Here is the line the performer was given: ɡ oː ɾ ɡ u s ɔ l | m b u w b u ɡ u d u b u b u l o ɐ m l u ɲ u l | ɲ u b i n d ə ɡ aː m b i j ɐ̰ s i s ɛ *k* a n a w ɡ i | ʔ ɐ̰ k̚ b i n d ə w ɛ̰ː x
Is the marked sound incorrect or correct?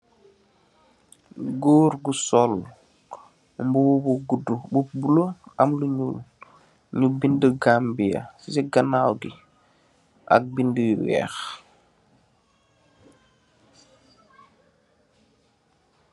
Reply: incorrect: ɡ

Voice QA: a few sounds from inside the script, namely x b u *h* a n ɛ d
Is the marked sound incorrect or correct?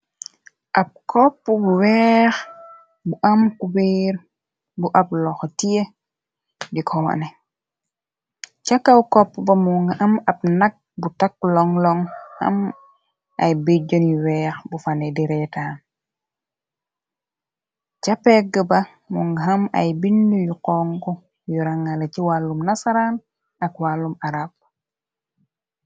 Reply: incorrect: f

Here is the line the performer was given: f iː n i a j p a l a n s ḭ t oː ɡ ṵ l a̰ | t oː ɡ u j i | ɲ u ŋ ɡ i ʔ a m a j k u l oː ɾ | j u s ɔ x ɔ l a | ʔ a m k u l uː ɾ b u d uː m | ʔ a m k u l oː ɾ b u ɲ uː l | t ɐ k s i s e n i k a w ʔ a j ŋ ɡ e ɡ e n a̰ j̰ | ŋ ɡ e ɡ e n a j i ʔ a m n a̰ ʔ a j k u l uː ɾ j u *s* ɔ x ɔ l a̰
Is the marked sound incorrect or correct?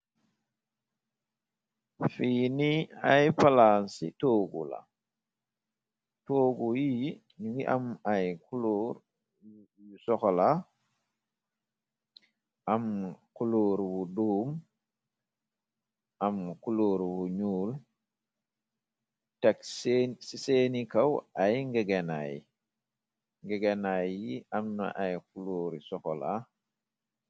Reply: correct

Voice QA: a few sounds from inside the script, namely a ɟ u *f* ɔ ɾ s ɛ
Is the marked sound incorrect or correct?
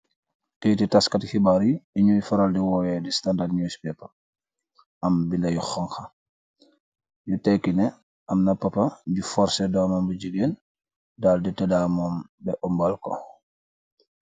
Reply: correct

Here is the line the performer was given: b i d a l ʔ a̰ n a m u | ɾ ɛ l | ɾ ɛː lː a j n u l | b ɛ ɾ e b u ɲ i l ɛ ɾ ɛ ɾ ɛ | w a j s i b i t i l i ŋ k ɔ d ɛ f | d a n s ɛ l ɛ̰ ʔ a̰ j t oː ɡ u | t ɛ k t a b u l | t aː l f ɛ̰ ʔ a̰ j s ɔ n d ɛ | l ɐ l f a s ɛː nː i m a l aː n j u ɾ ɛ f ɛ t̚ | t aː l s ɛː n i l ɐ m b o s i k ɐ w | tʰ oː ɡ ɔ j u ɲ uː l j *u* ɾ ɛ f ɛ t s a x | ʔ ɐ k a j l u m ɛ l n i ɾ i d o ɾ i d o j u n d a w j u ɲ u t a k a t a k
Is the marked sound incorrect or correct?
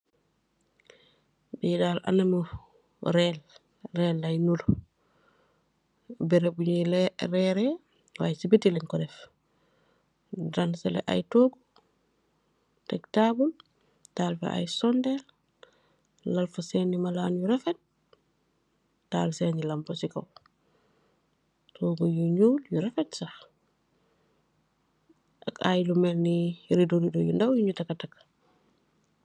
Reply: correct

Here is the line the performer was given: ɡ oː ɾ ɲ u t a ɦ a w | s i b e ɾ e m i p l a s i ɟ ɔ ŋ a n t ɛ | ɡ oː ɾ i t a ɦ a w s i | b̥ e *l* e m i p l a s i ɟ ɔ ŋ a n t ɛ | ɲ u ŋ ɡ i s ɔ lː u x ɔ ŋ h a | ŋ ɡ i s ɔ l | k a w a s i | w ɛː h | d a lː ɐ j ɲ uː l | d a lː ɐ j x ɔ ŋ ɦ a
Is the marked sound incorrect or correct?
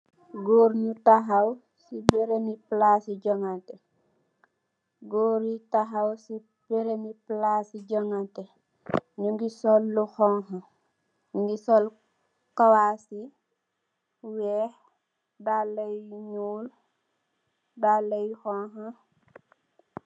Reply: incorrect: ɾ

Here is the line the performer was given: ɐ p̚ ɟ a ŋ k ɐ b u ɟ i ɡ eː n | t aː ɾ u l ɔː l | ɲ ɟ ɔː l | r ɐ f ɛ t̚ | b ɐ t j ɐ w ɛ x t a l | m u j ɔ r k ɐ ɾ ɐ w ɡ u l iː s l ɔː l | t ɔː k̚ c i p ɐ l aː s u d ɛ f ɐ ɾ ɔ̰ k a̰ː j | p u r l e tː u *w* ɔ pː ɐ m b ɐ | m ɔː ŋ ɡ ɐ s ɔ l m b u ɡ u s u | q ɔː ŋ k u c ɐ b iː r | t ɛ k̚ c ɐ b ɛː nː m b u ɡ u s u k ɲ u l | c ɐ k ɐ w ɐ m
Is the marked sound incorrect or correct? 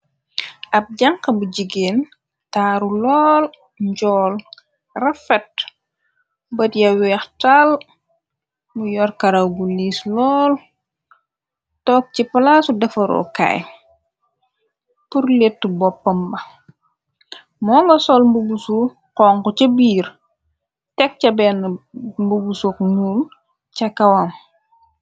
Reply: incorrect: b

